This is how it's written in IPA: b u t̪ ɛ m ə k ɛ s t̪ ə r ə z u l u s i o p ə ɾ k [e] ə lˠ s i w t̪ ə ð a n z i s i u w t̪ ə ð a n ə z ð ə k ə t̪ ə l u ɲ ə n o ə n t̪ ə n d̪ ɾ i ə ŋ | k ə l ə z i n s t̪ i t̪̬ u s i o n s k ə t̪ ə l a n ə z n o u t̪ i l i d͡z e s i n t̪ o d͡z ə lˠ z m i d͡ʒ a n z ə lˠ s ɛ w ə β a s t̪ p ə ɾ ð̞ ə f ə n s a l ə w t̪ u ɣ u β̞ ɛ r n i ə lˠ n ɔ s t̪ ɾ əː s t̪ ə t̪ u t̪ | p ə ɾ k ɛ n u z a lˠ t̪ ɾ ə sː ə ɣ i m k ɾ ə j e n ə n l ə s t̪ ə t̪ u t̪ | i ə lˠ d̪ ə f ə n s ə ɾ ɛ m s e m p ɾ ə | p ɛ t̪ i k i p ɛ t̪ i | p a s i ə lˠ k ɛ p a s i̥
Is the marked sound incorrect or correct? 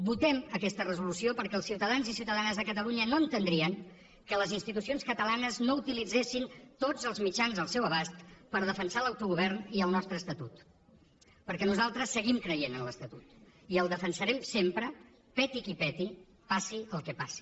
incorrect